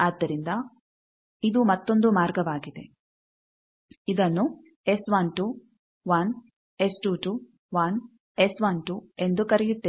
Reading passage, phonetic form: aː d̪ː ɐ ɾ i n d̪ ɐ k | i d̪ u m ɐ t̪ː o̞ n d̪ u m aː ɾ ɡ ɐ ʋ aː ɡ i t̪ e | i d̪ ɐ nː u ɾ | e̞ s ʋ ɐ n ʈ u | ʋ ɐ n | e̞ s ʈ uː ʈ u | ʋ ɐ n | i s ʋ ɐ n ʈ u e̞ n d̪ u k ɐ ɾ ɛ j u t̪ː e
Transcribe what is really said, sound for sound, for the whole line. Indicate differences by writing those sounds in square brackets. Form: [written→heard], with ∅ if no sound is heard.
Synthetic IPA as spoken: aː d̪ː ɐ ɾ i n d̪ ɐ [k→∅] | i d̪ u m ɐ t̪ː o̞ n d̪ u m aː ɾ ɡ ɐ ʋ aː ɡ i [t̪→d̪] e | i d̪ ɐ nː u [ɾ→∅] | e̞ s ʋ ɐ n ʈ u | ʋ ɐ n | e̞ s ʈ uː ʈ u | ʋ ɐ n | [i→e] s ʋ ɐ n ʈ u e̞ n d̪ u k ɐ ɾ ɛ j u t̪ː e